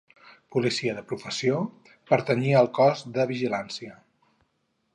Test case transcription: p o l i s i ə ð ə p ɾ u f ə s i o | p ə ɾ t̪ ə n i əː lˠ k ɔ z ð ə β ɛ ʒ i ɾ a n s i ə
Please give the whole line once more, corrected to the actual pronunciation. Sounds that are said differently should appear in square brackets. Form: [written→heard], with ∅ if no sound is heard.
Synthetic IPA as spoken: p [o→u] l i s i ə ð ə p ɾ u f ə s i o | p ə ɾ t̪ ə n i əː lˠ k ɔ z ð ə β [ɛ→i] ʒ i [ɾ→l] a n s i ə

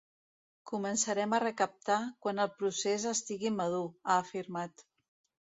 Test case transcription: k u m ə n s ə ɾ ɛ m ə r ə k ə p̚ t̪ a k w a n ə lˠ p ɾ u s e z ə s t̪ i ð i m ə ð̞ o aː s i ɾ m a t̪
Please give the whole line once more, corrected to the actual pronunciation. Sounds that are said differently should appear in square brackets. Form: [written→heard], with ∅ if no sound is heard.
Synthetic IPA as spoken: k u m ə n s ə ɾ ɛ m ə r ə k ə p̚ t̪ a k w a n ə lˠ p ɾ u s e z ə s t̪ i [ð→ɣ] i m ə ð̞ [o→u] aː [s→f] i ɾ m a t̪

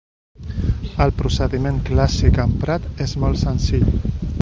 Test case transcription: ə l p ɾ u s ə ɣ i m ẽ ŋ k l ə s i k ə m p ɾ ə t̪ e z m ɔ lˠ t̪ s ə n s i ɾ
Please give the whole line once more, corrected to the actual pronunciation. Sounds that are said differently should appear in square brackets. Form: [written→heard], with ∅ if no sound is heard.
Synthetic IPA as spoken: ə l p ɾ u s ə [ɣ→ð] i m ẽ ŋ k l [ə→a] s i k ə m p ɾ [ə→a] t̪ e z m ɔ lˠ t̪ s ə n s i [ɾ→ʎ]

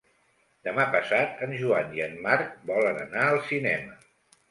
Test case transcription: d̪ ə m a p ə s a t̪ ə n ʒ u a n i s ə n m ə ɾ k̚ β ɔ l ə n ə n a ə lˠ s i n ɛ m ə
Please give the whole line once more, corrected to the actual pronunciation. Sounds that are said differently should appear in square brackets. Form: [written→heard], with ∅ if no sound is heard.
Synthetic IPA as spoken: d̪ ə m a p ə s a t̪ ə n ʒ u a n i [s→∅] ə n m [ə→a] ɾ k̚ [β→b] ɔ l ə n ə n a ə lˠ s i n ɛ m ə

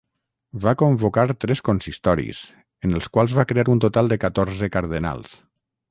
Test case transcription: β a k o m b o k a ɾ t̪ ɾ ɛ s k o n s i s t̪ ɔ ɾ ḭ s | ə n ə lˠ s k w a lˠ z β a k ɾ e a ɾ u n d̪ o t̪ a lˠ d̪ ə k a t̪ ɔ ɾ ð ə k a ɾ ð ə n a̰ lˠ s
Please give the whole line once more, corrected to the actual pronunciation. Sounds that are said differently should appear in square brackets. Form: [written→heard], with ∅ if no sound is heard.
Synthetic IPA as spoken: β a k o m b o k a ɾ t̪ ɾ ɛ s k o n s i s t̪ ɔ ɾ ḭ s | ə n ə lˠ s k w a lˠ z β a k ɾ e a ɾ u n [d̪→t̪] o t̪ a lˠ d̪ ə k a t̪ ɔ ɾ [ð→z] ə k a ɾ ð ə n a̰ lˠ s

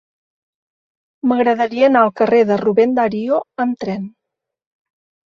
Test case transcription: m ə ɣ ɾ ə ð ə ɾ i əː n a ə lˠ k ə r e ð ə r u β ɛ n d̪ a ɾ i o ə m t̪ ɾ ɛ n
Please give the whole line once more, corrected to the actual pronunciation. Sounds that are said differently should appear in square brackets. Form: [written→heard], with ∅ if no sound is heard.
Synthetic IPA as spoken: m ə ɣ ɾ ə ð ə ɾ i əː n a ə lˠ k ə r e ð ə r u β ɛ n d̪ a ɾ i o ə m t̪ ɾ ɛ n

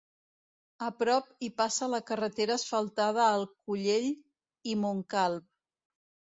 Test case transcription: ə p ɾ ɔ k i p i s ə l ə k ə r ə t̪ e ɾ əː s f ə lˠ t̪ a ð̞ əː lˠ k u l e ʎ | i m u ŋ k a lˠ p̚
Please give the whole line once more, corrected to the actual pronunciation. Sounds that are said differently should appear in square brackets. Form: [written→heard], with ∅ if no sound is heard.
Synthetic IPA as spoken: ə p ɾ ɔ [k→p] i p [i→a] s ə l ə k ə r ə t̪ e ɾ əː s f ə lˠ t̪ a ð̞ əː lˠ k u [l→ʎ] e ʎ | i m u ŋ k a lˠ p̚

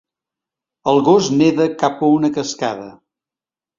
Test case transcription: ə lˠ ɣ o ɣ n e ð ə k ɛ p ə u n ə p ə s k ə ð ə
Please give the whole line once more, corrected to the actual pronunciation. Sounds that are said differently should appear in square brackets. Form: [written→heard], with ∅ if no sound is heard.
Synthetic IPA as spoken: ə lˠ ɣ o [ɣ→z] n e ð ə k [ɛ→a] p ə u n ə [p→k] ə s k [ə→a] ð ə

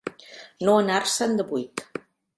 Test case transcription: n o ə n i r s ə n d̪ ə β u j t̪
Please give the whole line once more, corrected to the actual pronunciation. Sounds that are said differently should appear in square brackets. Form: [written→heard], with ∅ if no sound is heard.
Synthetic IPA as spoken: n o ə n [i→a] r s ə n d̪ ə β u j t̪

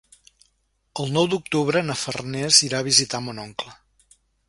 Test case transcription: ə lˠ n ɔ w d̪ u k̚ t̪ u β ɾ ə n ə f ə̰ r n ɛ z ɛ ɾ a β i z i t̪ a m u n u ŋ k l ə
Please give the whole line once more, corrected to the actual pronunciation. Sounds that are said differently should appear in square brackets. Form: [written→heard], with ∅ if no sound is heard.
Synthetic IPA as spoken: ə lˠ n ɔ w d̪ u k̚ t̪ u β ɾ ə n ə f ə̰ r n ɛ z [ɛ→i] ɾ a β i z i t̪ a m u n [u→ɔ] ŋ k l ə

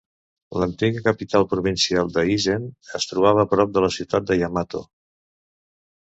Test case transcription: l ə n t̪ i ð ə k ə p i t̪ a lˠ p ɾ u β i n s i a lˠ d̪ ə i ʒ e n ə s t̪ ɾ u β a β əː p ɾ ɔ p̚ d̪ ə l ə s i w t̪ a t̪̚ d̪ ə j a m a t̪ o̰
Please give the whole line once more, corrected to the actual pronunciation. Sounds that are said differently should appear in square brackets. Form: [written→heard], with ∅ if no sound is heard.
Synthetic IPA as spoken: l ə n t̪ i [ð→ɣ] ə k ə p i t̪ a lˠ p ɾ u β i n s i a lˠ d̪ ə i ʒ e n ə s t̪ ɾ u β a β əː p ɾ ɔ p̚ d̪ ə l ə s i w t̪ a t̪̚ d̪ ə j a m a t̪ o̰

